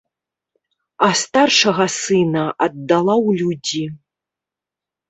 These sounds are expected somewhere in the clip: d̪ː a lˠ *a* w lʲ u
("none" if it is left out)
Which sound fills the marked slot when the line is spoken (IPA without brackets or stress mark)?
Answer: a